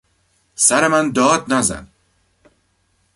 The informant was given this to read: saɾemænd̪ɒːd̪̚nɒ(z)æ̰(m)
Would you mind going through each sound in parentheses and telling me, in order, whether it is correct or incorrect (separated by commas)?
correct, incorrect